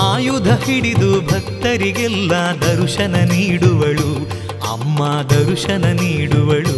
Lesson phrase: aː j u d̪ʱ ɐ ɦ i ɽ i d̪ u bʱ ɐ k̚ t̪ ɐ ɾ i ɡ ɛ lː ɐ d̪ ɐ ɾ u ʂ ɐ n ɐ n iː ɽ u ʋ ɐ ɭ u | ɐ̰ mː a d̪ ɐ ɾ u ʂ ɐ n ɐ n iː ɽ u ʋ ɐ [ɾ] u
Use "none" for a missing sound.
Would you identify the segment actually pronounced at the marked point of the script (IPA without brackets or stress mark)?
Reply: ɭ